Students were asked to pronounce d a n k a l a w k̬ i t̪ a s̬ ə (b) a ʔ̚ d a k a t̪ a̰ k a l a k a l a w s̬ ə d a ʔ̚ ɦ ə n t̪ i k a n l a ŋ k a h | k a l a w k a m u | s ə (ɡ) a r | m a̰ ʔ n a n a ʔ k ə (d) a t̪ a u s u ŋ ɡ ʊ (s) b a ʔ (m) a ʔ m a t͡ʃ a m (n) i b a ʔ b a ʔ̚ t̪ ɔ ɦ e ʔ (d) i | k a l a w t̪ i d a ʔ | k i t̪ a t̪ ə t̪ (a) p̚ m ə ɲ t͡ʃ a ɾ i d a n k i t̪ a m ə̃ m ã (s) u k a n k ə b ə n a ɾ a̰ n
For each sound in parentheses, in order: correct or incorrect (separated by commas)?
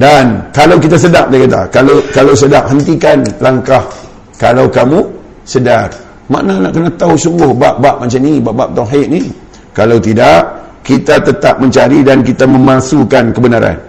incorrect, incorrect, incorrect, incorrect, incorrect, correct, incorrect, correct, correct